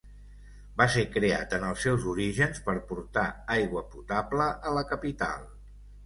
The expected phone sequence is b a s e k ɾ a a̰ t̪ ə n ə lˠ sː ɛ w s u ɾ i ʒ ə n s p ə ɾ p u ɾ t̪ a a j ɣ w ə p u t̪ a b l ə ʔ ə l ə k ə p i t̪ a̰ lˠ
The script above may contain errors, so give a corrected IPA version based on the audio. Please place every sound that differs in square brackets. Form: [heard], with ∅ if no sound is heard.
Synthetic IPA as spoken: b a s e k ɾ [e] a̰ t̪ ə n ə lˠ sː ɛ w [z] u ɾ i ʒ ə n s p ə ɾ p u ɾ t̪ a a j ɣ w ə p u t̪ a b l ə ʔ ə l ə k ə p i t̪ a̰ lˠ